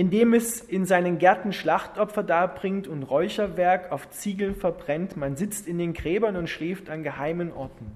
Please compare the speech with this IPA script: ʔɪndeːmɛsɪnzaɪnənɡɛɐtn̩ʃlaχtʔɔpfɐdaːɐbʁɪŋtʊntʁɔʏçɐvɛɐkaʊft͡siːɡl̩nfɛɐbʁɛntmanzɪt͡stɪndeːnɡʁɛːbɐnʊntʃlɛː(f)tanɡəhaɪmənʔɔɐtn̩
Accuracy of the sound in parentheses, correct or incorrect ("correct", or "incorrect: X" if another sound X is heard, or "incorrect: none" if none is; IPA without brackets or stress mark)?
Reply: correct